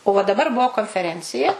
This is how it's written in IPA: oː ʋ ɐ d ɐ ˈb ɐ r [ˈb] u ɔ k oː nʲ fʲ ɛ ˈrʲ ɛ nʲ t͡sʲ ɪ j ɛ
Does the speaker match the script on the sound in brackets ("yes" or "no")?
yes